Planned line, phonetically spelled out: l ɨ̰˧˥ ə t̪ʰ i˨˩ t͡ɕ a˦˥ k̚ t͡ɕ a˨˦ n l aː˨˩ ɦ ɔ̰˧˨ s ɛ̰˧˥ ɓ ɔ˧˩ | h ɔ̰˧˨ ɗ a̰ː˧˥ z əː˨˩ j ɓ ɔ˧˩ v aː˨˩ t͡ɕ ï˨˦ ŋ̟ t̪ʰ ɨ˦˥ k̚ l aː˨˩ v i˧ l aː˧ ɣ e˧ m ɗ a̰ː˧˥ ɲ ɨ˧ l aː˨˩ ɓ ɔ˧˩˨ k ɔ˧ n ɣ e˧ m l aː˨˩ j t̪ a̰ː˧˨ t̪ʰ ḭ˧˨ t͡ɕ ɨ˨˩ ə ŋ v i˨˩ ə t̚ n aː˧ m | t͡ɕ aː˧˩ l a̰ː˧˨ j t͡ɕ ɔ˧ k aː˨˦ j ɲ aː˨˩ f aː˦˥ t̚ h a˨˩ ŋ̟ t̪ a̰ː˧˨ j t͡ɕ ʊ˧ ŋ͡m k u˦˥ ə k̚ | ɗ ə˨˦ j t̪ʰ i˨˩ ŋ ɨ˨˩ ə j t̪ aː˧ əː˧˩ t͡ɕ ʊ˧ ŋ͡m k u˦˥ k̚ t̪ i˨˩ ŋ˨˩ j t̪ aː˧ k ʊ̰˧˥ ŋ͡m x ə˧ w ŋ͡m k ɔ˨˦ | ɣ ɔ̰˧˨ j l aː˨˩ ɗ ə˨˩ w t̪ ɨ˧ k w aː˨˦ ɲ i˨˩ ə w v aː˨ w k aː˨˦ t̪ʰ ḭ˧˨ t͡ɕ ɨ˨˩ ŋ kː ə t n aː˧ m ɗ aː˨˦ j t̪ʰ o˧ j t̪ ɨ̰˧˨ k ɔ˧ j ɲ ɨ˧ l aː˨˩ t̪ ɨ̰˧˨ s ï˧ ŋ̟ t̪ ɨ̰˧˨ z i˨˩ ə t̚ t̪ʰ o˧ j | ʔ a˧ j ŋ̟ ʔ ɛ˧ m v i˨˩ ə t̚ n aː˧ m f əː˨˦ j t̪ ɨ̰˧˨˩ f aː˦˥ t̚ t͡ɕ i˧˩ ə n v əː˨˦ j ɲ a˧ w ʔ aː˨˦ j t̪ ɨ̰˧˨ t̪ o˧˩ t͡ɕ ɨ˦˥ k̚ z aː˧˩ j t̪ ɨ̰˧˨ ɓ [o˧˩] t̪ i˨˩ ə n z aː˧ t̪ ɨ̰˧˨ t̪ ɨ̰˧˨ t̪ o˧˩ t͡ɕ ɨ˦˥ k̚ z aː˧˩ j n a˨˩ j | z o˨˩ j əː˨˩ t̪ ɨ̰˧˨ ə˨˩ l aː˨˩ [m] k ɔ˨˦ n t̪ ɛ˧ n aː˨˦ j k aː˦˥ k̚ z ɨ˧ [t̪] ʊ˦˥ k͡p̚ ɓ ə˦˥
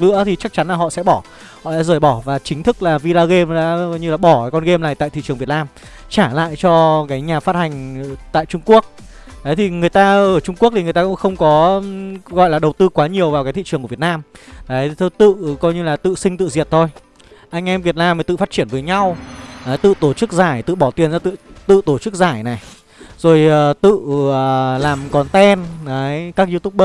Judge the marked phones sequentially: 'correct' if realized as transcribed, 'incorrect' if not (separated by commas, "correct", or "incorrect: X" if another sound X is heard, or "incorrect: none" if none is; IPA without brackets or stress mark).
incorrect: ɔ˧˩, correct, correct